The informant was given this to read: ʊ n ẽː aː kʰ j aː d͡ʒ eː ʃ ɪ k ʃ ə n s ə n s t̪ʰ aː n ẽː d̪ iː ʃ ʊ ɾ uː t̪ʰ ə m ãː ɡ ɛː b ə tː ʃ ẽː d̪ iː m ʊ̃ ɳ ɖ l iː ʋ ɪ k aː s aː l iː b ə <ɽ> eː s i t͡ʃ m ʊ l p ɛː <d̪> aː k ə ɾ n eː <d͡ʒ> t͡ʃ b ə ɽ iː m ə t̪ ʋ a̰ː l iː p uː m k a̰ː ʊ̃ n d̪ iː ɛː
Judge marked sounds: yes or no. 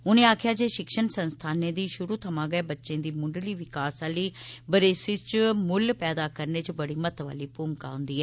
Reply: no, yes, no

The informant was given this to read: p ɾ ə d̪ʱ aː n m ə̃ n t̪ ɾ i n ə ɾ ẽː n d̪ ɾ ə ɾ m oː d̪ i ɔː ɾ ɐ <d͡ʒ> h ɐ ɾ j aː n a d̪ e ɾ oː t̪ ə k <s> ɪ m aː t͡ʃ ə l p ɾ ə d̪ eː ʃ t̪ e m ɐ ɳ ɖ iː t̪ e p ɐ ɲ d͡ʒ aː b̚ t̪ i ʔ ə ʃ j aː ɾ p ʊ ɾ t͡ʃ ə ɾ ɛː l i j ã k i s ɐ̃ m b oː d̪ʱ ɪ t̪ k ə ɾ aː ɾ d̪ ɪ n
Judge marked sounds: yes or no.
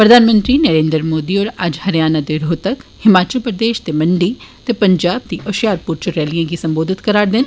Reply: yes, no

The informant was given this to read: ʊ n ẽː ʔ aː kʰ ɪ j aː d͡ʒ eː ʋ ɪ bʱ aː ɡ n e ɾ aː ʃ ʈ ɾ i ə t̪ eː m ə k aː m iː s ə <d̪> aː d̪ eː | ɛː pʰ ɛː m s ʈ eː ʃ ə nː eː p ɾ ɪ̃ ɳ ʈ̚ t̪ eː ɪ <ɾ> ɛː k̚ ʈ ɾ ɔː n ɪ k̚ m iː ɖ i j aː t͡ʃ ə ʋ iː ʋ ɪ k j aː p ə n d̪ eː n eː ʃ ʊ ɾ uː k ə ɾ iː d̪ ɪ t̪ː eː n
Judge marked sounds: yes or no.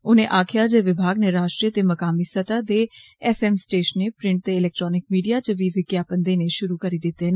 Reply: no, no

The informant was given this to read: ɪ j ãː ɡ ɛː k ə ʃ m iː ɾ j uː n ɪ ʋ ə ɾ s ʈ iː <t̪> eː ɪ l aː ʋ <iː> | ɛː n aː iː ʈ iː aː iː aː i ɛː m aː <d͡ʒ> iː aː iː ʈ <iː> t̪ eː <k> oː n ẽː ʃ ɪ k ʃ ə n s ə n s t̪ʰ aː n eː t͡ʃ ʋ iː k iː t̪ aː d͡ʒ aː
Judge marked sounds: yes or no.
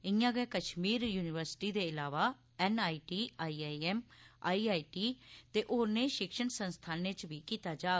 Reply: no, no, no, yes, no

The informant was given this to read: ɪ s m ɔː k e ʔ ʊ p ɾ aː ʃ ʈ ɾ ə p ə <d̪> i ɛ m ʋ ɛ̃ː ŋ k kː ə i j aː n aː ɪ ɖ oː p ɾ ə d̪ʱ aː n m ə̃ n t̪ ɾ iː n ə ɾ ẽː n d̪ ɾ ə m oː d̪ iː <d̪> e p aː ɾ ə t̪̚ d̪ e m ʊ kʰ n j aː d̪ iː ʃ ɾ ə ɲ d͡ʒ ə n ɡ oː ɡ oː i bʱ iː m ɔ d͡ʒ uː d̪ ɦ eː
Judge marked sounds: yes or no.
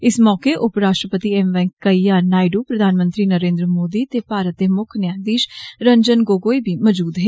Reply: no, no

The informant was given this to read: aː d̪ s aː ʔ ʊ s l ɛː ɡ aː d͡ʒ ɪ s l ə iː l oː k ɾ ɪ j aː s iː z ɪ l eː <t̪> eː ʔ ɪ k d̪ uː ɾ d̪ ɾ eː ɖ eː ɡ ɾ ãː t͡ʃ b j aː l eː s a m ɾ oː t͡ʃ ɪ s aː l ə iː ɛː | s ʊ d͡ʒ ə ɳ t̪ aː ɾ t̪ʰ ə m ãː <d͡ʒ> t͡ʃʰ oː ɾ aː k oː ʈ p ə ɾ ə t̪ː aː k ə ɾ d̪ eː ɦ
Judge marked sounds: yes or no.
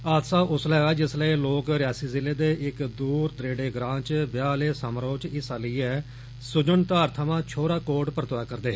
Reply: no, no

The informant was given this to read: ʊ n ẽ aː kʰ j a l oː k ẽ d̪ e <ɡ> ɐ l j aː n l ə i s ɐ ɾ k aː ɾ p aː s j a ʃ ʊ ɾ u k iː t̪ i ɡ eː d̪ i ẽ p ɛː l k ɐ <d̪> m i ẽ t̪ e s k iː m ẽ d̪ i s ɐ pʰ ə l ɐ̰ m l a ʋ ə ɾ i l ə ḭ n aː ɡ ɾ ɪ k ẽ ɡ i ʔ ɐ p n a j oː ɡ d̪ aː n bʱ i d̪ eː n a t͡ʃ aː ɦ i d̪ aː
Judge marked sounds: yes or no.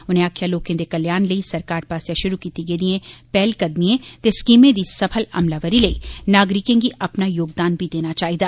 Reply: no, yes

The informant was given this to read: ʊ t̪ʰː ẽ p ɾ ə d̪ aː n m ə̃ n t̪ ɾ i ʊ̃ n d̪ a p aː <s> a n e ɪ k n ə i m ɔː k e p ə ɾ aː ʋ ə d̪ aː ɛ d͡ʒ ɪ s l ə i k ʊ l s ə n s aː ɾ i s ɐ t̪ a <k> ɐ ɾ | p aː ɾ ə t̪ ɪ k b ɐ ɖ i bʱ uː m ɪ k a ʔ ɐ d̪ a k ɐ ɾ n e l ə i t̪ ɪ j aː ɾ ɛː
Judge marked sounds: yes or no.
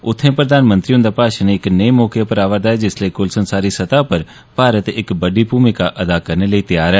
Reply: no, no

